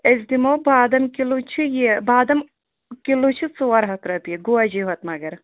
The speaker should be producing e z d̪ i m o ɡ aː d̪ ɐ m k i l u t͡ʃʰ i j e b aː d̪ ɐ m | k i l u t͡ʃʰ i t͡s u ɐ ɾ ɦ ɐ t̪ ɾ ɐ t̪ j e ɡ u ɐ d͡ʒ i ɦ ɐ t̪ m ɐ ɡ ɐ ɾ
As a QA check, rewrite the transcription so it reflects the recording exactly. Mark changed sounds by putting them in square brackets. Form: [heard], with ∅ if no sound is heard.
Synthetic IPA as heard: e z d̪ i m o [b] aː d̪ ɐ m k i l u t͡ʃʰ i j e b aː d̪ ɐ m | k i l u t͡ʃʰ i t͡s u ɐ ɾ ɦ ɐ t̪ ɾ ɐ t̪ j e ɡ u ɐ d͡ʒ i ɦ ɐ t̪ m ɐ ɡ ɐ ɾ